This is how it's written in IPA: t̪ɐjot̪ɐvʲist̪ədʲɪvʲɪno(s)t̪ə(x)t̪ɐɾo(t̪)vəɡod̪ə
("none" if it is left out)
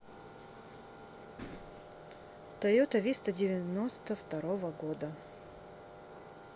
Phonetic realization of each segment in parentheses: s, f, none

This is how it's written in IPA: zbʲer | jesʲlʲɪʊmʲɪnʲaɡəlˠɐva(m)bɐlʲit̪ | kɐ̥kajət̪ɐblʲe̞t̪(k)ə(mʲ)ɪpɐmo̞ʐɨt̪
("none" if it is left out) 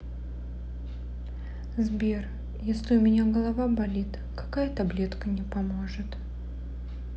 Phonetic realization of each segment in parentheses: none, k, nʲ

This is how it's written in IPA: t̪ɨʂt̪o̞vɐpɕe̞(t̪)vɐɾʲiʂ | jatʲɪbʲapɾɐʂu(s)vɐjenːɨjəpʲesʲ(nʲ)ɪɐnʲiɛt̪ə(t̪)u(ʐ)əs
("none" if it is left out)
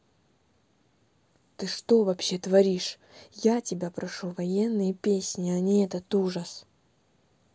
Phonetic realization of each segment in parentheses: t̪, none, nʲ, t̪, ʐ

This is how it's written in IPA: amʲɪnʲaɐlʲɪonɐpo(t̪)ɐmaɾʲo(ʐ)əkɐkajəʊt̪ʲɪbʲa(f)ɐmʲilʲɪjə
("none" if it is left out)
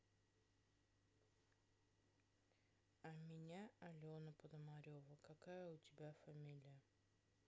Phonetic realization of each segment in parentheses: d̪, v, f

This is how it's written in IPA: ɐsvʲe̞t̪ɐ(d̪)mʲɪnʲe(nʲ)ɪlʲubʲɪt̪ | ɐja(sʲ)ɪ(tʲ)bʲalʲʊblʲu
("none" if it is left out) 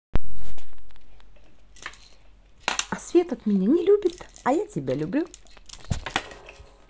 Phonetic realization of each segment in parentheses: t̪, nʲ, tʲ, none

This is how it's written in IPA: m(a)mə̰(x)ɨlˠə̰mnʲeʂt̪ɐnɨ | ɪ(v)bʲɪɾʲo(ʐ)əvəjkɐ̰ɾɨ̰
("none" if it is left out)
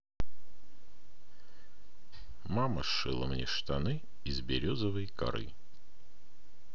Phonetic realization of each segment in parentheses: a, ʂ, z, z

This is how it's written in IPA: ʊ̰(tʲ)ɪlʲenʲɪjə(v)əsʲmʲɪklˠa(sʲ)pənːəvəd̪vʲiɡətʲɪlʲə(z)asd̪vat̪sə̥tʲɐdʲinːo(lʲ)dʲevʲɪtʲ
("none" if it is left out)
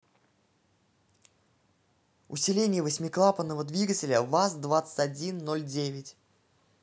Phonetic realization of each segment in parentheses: sʲ, v, none, v, lʲ

